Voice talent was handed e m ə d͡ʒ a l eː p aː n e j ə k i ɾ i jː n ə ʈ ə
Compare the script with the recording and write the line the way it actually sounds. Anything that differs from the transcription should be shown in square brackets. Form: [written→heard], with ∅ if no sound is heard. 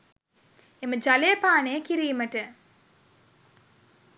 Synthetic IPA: e m ə d͡ʒ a l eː p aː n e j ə k i ɾ i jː [n→m] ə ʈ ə